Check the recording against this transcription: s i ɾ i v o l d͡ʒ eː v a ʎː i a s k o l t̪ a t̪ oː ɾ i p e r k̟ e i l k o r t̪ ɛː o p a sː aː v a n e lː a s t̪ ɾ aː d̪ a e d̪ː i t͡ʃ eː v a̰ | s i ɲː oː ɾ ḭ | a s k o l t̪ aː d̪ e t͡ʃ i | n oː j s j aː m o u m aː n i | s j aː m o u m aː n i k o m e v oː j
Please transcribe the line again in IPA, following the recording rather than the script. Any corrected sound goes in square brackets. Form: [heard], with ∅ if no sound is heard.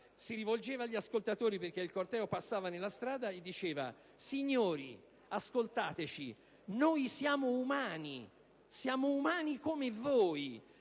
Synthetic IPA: s i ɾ i v o l d͡ʒ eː v a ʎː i a s k o l t̪ a t̪ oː ɾ i p e r k̟ e i l k o r t̪ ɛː o p a sː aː v a n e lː a s t̪ ɾ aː d̪ a e d̪ː i t͡ʃ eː v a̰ | s i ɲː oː ɾ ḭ | a s k o l t̪ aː [t̪] e t͡ʃ i | n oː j s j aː m o u m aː n i | s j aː m o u m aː n i k o m e v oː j